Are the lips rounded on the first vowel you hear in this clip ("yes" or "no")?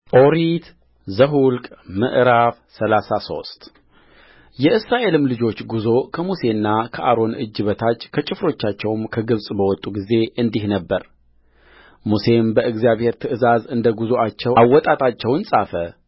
yes